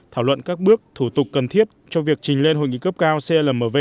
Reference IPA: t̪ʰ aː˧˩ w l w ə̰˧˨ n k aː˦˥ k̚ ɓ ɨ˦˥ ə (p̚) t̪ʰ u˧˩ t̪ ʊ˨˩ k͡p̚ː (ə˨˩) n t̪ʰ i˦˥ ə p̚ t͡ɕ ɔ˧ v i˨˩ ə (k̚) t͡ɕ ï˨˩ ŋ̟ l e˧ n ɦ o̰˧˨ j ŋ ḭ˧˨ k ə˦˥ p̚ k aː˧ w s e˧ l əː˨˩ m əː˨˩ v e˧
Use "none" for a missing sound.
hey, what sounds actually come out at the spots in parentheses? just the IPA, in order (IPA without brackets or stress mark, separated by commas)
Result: k̚, ə˨˩, k̚